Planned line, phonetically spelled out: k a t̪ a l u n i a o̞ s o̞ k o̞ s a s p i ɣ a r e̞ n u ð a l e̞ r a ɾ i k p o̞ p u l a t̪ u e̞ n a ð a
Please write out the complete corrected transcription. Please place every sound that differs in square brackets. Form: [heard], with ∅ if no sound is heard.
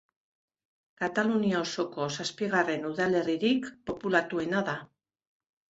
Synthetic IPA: k a t̪ a l u n i a o̞ s o̞ k o̞ s a s p i ɣ a r e̞ n u ð a l e̞ r [i] ɾ i k p o̞ p u l a t̪ u e̞ n a ð a